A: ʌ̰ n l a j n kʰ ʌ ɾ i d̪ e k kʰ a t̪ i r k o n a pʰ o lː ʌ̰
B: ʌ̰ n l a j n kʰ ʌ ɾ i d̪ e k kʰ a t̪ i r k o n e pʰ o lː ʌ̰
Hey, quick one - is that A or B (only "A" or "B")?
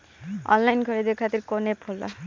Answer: B